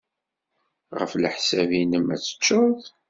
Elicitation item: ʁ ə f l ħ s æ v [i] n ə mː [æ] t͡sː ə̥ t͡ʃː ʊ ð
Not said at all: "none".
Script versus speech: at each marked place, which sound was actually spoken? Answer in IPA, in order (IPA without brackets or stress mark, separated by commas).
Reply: i, æ